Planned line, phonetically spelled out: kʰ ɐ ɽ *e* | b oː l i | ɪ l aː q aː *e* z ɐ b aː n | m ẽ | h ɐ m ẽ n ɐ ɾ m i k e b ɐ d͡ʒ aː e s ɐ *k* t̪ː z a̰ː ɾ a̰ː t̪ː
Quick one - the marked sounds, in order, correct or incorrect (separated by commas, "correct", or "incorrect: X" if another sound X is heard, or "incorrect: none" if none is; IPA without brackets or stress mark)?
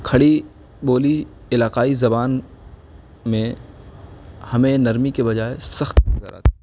incorrect: i, incorrect: i, incorrect: x